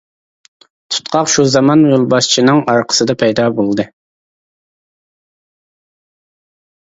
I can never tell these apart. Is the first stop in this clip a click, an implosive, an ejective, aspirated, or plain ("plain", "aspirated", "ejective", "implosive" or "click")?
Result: aspirated